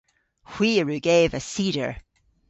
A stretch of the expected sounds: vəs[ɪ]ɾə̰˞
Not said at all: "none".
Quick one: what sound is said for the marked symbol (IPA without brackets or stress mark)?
i